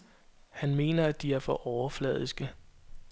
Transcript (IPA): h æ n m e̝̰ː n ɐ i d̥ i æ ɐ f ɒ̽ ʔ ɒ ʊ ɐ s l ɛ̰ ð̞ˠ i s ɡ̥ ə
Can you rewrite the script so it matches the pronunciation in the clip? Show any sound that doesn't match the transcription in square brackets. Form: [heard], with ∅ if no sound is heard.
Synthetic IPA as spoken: h æ n m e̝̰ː n ɐ [æ] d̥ i æ ɐ f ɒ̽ ʔ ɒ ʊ ɐ [f] l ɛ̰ ð̞ˠ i s ɡ̥ ə